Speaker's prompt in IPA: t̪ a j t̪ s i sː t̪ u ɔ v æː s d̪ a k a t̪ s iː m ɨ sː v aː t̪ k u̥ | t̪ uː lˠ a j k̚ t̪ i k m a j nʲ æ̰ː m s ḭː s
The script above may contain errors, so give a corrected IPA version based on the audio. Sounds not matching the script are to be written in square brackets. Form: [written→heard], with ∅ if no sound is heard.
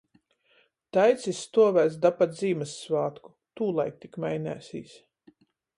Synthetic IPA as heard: t̪ a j t̪ s i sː t̪ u ɔ v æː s d̪ a [k→p] a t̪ [s→z] iː m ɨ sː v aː t̪ k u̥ | t̪ uː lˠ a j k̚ t̪ i k m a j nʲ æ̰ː [m→∅] s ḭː s